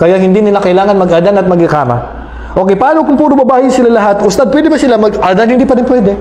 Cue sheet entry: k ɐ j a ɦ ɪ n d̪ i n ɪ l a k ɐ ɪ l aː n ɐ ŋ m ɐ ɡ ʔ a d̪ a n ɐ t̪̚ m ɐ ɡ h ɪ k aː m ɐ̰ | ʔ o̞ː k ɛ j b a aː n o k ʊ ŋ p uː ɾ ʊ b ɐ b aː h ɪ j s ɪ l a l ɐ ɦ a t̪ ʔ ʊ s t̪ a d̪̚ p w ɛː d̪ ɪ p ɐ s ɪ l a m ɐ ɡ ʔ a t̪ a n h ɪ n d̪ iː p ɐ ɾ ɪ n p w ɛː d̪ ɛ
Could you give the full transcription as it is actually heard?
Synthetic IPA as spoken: k ɐ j a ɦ ɪ n d̪ i n ɪ l a k ɐ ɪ l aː ŋ ɐ n m ɐ ɡ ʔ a d̪ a n ɐ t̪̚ m ɐ ɡ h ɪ k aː m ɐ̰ | ʔ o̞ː k ɛ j p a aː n o k ʊ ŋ p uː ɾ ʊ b ɐ b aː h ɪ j s ɪ l a l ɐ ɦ a t̪ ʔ ʊ s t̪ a d̪̚ p w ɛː d̪ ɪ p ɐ s ɪ l a m ɐ ɡ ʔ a d̪ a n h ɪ n d̪ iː p ɐ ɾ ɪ n p w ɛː d̪ ɛ